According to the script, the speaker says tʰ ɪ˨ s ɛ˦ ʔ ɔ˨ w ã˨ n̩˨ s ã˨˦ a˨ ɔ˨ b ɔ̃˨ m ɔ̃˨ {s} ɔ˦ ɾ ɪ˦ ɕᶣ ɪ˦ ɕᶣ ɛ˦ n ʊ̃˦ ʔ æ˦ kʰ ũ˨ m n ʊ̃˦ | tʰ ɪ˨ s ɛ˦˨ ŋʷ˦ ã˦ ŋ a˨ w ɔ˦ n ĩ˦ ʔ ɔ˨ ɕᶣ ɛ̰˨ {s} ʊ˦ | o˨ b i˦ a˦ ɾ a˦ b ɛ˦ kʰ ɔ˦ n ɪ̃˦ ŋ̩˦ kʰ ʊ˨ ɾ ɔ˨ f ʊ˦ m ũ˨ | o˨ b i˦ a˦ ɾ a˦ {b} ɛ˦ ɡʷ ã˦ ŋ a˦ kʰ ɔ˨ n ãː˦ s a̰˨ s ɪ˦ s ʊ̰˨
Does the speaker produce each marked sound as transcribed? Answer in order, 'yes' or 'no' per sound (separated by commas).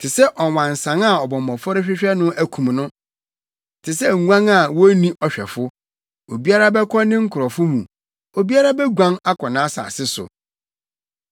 no, no, yes